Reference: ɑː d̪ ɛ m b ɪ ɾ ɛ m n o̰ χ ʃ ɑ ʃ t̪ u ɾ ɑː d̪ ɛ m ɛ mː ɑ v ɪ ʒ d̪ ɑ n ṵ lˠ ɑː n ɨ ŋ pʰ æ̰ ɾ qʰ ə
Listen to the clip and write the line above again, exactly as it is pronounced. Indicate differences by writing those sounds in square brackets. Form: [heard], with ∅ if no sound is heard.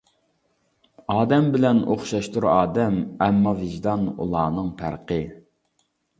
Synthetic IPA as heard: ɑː d̪ ɛ m b ɪ [l] ɛ [∅] n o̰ χ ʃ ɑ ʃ t̪ u ɾ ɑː d̪ ɛ m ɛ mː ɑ v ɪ ʒ d̪ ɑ n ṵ lˠ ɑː n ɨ ŋ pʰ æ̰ ɾ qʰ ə